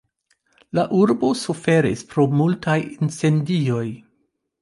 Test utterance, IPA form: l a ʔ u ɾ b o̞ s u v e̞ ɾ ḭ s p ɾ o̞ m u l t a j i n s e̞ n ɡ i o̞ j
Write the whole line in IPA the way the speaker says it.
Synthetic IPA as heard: l a ʔ u ɾ b o̞ s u f e̞ ɾ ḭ s p ɾ o̞ m u l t a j i n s e̞ n d i o̞ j